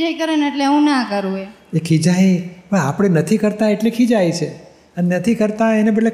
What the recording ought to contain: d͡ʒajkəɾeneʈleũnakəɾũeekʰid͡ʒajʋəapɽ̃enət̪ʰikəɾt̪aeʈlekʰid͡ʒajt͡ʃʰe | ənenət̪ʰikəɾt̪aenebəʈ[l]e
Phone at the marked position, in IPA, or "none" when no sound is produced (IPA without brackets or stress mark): l